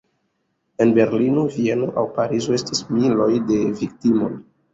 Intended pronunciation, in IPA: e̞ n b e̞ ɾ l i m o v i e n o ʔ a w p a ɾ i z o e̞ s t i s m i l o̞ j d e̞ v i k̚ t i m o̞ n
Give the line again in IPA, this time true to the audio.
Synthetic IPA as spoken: e̞ n b e̞ ɾ l i n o v i e n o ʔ a w p a ɾ i z o e̞ s t i s m i l o̞ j d e̞ v i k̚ t i m o̞ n